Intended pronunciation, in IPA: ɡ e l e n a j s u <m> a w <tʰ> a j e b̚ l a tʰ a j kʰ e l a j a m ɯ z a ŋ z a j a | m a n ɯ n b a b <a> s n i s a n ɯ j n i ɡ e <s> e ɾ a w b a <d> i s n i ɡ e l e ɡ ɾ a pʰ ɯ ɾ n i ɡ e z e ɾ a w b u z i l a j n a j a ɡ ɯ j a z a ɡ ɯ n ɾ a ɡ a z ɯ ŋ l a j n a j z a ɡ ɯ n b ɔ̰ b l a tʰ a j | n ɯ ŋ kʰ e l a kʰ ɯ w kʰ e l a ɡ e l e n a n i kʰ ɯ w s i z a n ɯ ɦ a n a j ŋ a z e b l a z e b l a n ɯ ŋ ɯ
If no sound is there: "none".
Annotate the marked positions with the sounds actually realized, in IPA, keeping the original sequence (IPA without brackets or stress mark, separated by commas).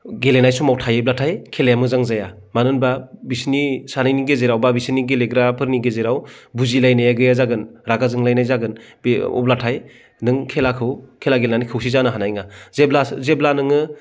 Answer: m, tʰ, i, z, b